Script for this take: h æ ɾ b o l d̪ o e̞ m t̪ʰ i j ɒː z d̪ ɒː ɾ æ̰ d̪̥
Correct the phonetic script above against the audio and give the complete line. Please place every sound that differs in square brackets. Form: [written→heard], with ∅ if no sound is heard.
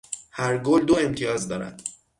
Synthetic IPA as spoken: h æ ɾ [b→ɡ] o l d̪ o e̞ m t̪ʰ i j ɒː z d̪ ɒː ɾ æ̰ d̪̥